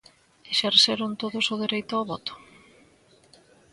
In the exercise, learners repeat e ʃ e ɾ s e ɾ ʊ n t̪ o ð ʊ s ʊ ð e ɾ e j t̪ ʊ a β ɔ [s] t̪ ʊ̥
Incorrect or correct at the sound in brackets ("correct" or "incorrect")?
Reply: incorrect